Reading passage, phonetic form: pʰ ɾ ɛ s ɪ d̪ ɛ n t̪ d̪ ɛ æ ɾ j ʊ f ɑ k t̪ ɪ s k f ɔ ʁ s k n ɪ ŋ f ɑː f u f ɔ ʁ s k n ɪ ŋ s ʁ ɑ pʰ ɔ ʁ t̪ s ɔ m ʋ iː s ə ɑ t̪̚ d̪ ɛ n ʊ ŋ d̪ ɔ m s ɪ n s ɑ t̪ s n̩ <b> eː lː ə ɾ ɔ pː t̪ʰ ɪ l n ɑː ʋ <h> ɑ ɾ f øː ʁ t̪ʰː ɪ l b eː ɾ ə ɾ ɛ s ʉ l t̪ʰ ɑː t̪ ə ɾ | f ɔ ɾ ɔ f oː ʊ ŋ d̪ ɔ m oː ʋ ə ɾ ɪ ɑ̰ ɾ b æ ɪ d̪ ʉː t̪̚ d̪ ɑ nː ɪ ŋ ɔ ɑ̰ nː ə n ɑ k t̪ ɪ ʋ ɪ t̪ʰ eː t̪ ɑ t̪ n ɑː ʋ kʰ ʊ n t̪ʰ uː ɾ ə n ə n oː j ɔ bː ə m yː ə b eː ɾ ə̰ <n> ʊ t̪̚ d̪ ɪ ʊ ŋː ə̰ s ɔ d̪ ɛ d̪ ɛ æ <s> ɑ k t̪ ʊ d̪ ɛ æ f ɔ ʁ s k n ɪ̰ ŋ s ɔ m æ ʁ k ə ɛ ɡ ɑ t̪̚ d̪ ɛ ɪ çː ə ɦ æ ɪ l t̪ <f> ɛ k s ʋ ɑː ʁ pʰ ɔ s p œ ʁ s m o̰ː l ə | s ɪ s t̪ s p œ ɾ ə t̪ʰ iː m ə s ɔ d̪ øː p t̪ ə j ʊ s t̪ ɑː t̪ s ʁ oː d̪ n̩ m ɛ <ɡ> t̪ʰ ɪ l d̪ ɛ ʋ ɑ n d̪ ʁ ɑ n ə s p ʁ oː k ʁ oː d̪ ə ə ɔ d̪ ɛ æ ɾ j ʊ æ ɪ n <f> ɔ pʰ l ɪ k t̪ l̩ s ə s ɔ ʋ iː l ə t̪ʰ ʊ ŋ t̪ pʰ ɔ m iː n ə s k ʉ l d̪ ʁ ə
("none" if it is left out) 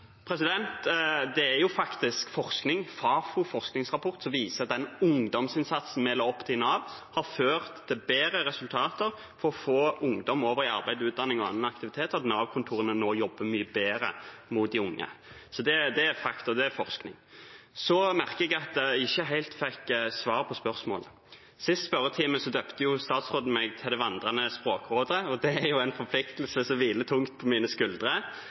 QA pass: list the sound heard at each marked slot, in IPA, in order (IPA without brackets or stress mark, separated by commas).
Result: m, h, m, f, f, ɡ, f